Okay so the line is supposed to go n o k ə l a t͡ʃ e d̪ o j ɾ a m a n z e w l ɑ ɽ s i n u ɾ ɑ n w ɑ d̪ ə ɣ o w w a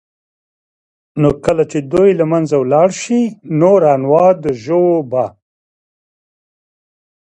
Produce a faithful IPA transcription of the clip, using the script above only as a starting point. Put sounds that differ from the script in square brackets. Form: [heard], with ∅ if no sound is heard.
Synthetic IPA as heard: n o k ə l a t͡ʃ e d̪ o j [l] a m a n z [a] w l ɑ ɽ [ʃ] i n [o] ɾ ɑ n w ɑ d̪ ə [ʒ] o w [b] a